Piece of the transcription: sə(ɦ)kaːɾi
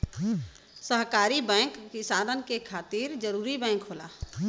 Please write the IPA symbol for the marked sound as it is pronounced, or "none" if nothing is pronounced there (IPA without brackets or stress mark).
ɦ